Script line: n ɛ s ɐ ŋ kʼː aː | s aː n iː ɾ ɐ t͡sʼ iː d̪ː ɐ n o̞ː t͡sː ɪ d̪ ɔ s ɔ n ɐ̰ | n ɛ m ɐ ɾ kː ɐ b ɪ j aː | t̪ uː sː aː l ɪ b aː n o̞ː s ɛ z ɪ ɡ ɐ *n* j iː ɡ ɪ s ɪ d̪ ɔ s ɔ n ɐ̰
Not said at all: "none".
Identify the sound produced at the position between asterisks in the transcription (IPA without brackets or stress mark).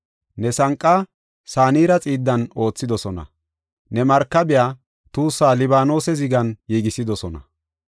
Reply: n